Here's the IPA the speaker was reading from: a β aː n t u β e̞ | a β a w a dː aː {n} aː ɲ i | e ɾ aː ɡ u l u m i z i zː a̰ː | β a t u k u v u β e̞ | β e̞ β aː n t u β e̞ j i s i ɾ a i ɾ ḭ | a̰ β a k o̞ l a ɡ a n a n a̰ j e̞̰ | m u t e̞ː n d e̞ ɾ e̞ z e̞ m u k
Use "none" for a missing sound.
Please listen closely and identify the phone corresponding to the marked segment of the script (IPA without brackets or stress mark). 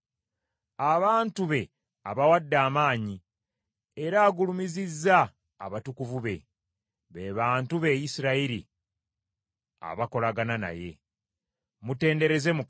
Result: m